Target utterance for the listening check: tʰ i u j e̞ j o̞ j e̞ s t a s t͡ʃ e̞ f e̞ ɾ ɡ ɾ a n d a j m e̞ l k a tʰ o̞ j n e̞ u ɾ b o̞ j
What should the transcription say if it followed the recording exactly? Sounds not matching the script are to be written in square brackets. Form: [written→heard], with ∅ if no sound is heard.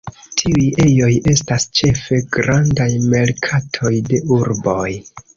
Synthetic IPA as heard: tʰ i u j e̞ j o̞ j e̞ s t a s t͡ʃ e̞ f e̞ [ɾ→∅] ɡ ɾ a n d a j m e̞ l [k→kʰ] a tʰ o̞ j [n→d] e̞ u ɾ b o̞ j